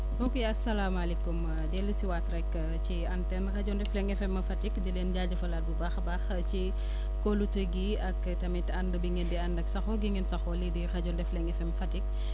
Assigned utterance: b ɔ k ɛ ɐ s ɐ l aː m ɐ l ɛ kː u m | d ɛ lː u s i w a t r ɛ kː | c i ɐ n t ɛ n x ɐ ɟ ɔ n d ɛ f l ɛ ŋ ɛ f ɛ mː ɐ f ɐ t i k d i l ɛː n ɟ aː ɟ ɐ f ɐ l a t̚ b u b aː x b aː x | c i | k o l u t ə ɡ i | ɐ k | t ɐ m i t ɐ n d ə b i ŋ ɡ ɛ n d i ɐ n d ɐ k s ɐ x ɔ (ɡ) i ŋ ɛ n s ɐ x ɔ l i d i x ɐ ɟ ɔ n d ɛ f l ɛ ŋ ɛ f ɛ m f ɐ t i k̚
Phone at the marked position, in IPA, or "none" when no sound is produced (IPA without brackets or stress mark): ɡ